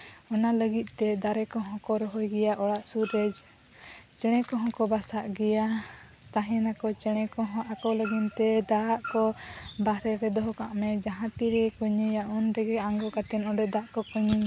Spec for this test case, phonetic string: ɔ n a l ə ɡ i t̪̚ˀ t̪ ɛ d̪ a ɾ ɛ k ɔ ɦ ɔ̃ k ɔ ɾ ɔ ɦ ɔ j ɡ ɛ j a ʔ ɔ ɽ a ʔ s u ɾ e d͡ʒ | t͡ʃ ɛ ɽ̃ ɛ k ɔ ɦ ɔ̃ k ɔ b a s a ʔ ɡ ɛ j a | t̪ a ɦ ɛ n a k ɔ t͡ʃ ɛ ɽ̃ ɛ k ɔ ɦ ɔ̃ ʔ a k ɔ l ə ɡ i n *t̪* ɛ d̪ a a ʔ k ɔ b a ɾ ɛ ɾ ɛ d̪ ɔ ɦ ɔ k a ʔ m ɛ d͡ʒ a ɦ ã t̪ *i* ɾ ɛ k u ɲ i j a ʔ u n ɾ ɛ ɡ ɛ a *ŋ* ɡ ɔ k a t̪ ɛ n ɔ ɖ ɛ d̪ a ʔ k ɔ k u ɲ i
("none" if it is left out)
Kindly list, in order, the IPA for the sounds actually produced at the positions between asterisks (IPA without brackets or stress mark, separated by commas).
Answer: t̪, i, ŋ